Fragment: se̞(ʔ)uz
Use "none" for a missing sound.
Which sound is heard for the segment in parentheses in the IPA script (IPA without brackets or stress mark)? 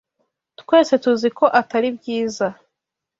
t